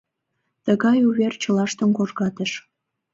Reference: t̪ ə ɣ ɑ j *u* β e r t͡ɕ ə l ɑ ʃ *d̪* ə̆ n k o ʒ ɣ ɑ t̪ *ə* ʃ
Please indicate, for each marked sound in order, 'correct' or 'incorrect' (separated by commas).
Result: correct, incorrect, correct